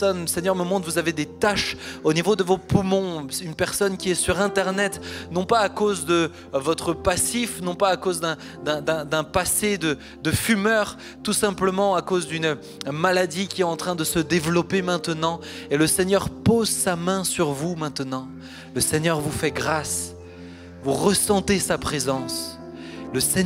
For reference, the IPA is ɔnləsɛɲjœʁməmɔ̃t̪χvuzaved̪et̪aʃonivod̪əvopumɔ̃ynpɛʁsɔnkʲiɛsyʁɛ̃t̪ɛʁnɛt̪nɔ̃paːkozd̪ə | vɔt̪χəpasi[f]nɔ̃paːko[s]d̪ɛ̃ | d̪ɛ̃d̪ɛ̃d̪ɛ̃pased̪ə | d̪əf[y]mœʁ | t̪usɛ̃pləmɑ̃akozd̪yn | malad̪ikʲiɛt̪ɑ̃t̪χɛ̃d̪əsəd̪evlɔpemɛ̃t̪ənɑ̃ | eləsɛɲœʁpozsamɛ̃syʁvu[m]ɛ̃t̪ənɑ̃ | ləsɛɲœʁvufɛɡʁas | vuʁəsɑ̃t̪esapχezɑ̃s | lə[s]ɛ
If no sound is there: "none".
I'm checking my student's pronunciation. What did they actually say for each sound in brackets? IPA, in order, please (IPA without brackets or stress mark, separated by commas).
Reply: f, z, y, m, s